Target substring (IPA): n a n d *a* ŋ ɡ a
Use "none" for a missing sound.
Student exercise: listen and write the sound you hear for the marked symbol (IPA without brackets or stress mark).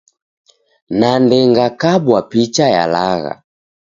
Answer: ɛ